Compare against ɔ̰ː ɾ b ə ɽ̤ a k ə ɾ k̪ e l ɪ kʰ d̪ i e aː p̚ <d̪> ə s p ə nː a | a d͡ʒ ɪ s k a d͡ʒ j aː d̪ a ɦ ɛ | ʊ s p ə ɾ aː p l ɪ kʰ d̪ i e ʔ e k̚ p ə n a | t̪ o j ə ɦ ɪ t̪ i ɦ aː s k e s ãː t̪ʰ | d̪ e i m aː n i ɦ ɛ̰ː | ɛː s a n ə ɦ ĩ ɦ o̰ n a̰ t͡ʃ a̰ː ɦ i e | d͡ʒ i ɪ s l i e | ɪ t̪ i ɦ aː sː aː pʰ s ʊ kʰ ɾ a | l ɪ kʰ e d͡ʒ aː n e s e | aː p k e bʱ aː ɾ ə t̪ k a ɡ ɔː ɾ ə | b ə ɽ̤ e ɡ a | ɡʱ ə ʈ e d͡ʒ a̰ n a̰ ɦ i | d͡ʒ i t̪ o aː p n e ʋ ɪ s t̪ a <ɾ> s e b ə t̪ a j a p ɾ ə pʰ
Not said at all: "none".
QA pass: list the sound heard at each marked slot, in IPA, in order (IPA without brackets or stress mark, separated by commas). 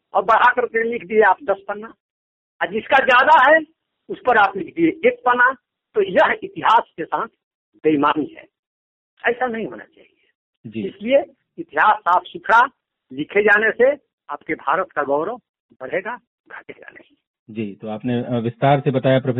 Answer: d̪, ɾ